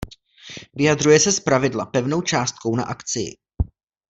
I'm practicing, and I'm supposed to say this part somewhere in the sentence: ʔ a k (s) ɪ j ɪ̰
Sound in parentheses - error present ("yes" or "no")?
yes